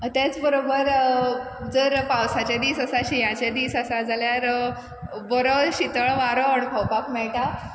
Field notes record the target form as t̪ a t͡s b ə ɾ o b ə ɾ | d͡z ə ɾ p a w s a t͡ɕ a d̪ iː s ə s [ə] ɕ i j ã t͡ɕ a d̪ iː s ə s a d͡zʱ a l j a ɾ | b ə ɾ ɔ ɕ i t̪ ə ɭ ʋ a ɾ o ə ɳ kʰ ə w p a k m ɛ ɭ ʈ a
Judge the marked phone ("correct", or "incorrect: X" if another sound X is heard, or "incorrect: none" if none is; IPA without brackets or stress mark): incorrect: a